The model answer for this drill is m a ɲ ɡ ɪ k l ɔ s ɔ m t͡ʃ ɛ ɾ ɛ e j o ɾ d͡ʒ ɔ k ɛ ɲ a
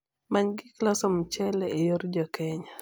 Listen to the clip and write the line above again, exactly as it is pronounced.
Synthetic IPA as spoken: m a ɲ ɡ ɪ k l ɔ s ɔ m t͡ʃ ɛ l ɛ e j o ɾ d͡ʒ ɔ k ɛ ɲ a